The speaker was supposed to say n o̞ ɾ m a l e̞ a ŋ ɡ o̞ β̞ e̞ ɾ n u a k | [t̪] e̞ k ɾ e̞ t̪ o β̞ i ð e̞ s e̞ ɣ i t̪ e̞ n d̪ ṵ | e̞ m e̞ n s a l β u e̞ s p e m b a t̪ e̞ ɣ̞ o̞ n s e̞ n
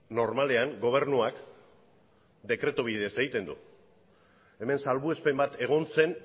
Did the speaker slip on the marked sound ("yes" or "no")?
yes